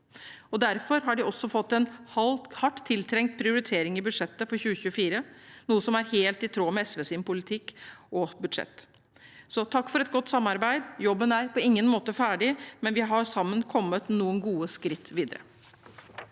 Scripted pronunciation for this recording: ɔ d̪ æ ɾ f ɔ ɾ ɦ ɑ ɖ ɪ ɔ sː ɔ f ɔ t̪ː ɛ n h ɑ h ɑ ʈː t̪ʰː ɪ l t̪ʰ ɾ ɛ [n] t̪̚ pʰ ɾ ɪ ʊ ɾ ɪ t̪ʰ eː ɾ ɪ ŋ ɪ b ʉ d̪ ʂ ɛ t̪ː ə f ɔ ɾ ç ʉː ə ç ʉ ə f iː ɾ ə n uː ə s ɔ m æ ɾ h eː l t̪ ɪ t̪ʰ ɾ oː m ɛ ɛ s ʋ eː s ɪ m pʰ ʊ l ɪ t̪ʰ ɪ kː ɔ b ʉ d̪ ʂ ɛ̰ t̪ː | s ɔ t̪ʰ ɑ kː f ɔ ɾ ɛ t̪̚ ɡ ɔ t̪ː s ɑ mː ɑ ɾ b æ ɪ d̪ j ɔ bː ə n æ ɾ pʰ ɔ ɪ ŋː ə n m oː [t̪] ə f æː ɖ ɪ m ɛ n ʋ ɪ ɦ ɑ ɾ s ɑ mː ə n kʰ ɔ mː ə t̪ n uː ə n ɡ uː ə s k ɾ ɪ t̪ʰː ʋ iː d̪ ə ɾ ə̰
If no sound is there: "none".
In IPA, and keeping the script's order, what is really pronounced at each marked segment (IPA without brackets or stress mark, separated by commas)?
ŋ, t̪